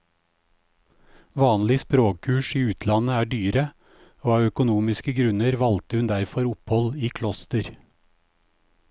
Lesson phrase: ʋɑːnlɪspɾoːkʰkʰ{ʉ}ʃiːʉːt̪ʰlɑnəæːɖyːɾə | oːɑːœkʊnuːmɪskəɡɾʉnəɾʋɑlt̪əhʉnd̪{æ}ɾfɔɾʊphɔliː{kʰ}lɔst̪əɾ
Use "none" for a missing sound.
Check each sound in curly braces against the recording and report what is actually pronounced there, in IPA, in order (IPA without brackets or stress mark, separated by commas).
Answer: ʉː, æ, kʰ